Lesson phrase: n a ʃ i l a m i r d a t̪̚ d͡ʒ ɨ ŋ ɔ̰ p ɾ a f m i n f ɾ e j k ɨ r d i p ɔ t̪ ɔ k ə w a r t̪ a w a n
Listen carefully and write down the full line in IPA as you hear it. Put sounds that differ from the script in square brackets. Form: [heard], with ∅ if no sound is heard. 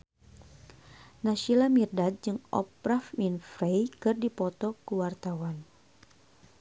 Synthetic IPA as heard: n a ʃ i l a m i r d a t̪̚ d͡ʒ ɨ ŋ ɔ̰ p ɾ a f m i n f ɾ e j k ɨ r d i p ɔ t̪ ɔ k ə w a r t̪ a w a n